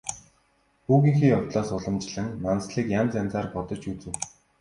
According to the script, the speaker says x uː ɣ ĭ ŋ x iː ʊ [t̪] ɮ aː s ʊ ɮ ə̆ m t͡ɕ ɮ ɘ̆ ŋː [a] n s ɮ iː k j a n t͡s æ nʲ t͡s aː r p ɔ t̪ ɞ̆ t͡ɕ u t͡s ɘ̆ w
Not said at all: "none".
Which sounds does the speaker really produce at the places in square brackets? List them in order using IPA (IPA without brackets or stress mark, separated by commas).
t̪, a